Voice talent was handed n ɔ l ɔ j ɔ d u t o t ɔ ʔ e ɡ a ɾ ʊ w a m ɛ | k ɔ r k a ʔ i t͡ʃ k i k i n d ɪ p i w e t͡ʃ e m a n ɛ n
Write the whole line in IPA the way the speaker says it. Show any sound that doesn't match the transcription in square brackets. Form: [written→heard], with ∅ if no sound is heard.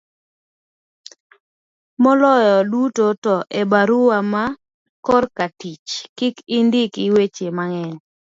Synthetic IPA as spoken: [n→m] ɔ l ɔ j ɔ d u t o t ɔ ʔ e [ɡ→b] a ɾ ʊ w a m [ɛ→a] | k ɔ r k a [ʔ→t] i t͡ʃ k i k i n d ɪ [p→k] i w e t͡ʃ e m a [n→ŋ] ɛ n